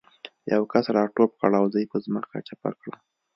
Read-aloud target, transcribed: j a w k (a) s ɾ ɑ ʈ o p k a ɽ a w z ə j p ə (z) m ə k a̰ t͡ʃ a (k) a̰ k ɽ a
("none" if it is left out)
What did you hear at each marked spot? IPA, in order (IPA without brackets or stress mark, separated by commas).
a, z, p